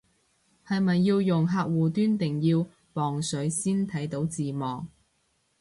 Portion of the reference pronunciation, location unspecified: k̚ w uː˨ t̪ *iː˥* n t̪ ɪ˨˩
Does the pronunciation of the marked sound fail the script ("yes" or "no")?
yes